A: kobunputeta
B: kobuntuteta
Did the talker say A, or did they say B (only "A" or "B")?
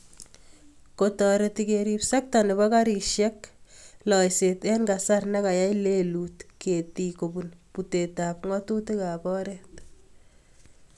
A